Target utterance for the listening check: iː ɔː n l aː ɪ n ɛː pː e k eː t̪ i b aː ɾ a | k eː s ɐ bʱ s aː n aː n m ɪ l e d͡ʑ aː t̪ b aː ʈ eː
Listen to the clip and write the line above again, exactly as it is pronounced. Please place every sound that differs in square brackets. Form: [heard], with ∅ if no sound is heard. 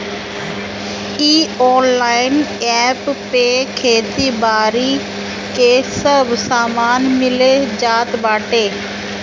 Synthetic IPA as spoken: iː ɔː n l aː ɪ n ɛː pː e [kʰ] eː t̪ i b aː ɾ [i] | k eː s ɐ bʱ s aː [m] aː n m ɪ l e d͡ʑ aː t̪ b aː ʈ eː